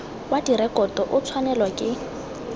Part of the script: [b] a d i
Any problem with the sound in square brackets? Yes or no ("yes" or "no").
yes